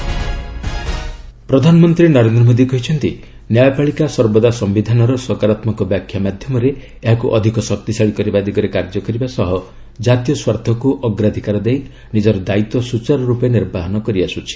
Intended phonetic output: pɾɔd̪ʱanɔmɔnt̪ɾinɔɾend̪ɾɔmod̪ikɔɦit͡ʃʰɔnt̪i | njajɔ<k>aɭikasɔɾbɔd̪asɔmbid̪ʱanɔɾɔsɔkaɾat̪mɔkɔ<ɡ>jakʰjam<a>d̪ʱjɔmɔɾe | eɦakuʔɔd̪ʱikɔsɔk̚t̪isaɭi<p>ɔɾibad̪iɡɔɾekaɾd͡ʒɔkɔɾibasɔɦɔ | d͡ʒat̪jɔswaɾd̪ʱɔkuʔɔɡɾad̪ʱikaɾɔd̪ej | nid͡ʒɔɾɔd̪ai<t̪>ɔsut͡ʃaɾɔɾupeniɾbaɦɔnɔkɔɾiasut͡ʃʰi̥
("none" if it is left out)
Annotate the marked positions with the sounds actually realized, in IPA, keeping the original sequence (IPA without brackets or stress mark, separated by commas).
p, b, a, k, t̪